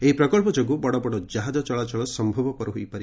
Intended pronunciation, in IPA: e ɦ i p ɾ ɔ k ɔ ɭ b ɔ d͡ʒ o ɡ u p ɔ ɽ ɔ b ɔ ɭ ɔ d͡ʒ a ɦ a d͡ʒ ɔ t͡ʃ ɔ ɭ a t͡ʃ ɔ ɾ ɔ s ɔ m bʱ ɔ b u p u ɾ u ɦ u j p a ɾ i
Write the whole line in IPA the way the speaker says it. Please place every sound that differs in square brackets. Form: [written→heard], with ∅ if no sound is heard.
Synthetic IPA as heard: e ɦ i p ɾ ɔ k ɔ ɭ [b→p] ɔ d͡ʒ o ɡ u [p→b] ɔ ɽ ɔ b ɔ [ɭ→ɽ] ɔ d͡ʒ a ɦ a d͡ʒ ɔ t͡ʃ ɔ ɭ a t͡ʃ ɔ [ɾ→ɭ] ɔ s ɔ m bʱ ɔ b [u→ɔ] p [u→ɔ] ɾ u ɦ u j p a ɾ i